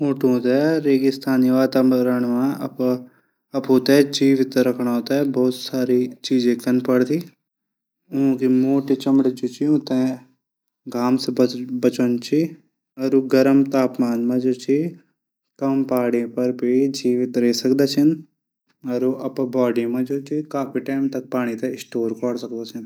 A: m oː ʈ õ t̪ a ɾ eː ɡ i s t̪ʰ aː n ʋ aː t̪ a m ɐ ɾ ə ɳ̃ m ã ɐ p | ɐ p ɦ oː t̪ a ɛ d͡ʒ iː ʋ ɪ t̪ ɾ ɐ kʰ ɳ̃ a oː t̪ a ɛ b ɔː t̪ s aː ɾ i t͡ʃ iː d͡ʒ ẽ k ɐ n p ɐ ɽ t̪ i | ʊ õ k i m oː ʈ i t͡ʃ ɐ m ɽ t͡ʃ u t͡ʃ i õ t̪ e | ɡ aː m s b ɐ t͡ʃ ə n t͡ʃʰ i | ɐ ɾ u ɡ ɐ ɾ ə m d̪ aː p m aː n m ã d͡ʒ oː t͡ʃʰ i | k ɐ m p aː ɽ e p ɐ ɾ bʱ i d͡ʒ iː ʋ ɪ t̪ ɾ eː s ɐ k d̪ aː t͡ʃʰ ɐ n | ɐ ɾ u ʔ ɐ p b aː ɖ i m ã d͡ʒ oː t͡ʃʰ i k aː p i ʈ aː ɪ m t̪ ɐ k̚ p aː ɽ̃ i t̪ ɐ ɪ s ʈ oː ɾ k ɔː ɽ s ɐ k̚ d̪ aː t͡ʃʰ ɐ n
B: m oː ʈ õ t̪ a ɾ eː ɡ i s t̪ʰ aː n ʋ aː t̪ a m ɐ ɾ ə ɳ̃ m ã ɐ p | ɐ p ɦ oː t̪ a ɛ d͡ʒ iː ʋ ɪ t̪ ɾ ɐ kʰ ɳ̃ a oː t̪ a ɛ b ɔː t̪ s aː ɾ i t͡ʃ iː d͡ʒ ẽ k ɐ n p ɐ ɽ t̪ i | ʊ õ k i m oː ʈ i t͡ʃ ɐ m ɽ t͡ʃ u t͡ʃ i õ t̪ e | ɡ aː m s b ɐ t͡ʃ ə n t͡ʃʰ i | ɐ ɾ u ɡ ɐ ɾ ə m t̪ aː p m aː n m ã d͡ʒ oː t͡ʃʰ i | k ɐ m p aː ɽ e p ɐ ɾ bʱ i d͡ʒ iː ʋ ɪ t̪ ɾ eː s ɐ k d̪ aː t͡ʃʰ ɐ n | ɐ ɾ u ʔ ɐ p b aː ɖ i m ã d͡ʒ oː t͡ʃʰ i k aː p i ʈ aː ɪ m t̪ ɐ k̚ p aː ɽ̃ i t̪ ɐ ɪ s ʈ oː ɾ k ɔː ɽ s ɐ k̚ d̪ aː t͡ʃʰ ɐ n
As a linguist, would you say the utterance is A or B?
B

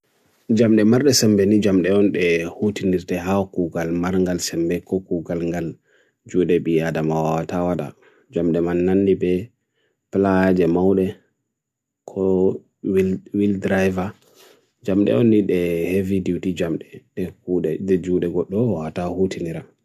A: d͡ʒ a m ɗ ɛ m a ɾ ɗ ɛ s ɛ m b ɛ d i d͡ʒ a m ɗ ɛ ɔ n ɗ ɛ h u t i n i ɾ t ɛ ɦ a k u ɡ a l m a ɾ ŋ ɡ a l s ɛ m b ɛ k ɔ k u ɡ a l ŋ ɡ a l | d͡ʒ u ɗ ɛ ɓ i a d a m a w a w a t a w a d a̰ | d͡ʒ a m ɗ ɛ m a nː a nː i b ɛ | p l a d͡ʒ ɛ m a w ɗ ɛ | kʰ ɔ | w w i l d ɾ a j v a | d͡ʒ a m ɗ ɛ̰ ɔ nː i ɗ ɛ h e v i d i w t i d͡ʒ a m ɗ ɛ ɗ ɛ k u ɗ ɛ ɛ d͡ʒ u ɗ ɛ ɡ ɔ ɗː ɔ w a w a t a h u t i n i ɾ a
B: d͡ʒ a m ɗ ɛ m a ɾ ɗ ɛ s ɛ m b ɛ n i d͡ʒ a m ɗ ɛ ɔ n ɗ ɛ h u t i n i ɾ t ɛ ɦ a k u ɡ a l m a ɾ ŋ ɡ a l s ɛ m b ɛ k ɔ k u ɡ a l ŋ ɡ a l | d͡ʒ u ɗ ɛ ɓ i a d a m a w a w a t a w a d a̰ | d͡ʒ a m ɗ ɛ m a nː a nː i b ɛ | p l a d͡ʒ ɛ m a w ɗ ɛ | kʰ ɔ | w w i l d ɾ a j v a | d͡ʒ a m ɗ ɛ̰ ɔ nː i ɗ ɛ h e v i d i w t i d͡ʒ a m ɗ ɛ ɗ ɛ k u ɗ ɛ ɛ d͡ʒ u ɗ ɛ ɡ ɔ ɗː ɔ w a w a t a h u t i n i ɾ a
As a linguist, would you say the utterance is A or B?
B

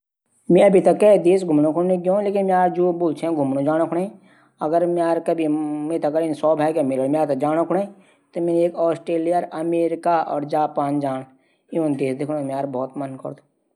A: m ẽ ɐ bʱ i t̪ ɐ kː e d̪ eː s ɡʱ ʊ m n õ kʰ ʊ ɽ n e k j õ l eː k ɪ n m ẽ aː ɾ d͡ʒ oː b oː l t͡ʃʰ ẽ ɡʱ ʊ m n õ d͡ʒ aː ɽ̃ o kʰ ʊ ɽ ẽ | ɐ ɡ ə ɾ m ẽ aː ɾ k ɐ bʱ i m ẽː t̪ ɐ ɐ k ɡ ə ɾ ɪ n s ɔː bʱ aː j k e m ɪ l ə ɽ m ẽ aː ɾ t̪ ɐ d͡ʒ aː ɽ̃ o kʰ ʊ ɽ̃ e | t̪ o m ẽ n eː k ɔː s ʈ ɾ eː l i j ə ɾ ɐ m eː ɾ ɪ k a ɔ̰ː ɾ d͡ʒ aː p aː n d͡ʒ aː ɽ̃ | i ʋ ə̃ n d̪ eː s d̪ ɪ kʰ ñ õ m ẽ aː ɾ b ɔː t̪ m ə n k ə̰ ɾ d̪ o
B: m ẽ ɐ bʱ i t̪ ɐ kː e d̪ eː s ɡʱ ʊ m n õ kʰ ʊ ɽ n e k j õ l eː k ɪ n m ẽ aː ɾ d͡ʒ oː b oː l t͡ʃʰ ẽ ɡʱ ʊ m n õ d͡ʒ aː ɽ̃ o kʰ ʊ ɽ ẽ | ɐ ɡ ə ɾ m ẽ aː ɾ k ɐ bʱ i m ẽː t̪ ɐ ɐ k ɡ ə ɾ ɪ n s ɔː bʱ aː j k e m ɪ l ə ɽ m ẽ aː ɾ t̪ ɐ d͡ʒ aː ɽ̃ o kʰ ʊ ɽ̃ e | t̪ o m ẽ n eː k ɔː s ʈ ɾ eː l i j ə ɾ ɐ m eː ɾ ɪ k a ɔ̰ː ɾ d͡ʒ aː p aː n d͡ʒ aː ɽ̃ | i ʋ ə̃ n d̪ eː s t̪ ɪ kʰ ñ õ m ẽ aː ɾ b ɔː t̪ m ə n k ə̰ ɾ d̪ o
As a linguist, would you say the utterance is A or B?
A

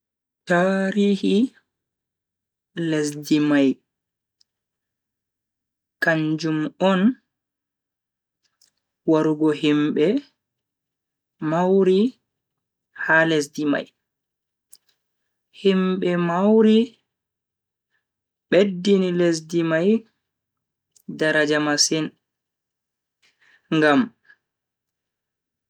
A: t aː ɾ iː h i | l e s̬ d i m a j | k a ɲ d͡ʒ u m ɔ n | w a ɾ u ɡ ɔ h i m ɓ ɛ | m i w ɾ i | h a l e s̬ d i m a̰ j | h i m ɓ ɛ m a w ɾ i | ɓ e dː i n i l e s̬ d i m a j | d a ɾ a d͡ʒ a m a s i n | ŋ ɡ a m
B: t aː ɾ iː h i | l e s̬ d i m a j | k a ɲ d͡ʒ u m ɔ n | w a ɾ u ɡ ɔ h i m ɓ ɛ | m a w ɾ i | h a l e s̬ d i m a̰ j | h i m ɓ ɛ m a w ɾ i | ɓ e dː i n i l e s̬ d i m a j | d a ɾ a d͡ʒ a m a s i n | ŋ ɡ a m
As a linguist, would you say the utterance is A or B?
B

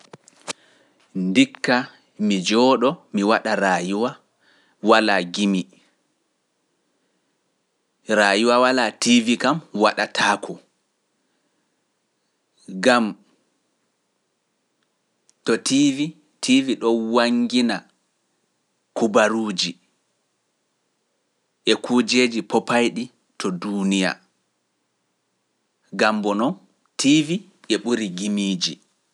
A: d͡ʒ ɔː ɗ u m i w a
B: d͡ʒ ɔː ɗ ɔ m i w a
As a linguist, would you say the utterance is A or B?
B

